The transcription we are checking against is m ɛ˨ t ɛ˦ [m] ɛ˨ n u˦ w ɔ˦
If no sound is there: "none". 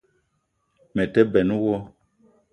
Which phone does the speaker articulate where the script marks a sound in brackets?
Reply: b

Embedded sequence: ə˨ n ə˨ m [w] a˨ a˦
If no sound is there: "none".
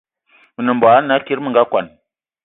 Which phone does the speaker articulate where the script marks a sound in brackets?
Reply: b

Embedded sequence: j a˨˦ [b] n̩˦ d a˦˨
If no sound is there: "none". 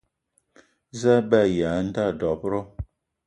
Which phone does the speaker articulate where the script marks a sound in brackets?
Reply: none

